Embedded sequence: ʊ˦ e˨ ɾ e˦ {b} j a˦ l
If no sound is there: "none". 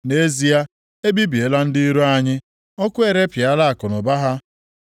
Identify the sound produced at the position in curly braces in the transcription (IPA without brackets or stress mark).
p